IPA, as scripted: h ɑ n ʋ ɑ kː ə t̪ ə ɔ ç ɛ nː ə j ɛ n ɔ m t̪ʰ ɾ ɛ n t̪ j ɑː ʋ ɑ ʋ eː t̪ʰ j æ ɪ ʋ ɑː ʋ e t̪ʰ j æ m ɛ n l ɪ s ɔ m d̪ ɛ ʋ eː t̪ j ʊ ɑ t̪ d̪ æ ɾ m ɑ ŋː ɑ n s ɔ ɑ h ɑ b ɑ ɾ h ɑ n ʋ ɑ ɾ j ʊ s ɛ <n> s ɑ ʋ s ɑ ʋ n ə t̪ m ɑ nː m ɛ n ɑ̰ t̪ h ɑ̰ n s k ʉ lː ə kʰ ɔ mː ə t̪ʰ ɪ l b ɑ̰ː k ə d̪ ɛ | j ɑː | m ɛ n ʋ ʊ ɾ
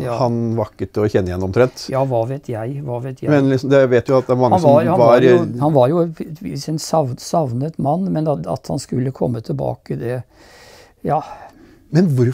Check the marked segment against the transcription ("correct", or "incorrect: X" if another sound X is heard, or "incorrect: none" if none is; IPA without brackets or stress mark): correct